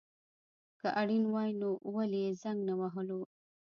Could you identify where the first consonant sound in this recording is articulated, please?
velar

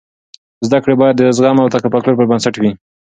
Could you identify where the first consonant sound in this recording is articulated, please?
alveolar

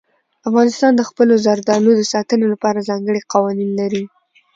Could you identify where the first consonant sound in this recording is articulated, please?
labial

